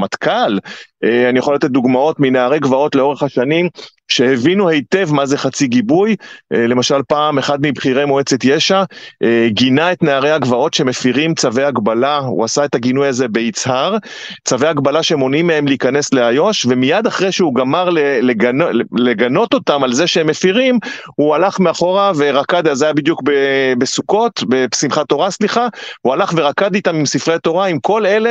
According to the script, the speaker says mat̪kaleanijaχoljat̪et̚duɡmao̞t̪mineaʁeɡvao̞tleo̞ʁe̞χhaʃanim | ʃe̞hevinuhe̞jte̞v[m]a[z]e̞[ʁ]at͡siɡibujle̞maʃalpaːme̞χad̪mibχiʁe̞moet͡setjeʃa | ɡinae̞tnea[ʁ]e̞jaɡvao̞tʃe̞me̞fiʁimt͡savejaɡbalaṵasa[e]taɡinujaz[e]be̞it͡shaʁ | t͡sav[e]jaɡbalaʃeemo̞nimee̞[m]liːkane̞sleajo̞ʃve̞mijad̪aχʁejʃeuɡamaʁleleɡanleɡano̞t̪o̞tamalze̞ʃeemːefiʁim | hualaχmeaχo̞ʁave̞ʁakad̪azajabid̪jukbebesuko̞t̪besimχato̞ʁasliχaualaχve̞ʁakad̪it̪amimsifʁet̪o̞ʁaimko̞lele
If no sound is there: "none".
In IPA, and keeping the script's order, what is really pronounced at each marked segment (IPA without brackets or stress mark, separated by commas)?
m, z, χ, ʁ, e, e, e, m